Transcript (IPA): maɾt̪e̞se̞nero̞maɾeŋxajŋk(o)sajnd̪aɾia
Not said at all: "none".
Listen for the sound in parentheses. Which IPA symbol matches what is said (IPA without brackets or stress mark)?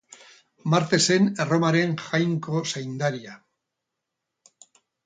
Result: o